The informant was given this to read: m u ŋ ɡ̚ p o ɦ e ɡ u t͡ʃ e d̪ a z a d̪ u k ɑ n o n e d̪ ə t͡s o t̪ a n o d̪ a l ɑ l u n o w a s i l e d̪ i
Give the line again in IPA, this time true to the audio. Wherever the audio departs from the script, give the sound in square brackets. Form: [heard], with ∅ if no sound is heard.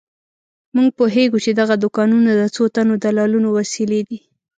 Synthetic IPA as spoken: m u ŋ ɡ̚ p o ɦ e ɡ u t͡ʃ e d̪ a [ɣ] a d̪ [ʊ] k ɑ n [u] n [a] d̪ ə t͡s o t̪ a n o d̪ a l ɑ l u n o w a s i l e d̪ i